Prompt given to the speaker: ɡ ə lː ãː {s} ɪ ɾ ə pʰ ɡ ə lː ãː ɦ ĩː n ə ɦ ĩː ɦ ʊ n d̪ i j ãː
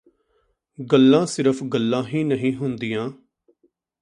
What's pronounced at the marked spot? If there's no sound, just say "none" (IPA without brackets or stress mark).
s